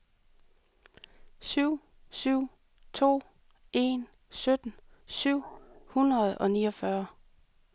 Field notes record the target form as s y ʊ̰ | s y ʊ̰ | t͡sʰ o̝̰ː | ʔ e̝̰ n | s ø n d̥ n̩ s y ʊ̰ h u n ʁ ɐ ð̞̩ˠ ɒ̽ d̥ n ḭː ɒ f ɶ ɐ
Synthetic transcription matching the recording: s y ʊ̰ | s y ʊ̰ | t͡sʰ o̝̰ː | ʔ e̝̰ n | s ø d̥ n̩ s y ʊ̰ h u n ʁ ɐ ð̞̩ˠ ɒ̽ n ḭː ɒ f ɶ ɐ